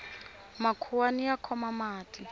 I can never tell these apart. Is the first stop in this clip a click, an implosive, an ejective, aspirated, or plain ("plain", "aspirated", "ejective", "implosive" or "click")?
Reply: aspirated